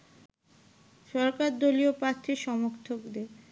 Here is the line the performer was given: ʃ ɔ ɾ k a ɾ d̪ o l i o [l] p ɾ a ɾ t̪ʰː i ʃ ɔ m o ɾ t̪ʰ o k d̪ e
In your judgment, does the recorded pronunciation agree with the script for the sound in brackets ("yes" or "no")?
no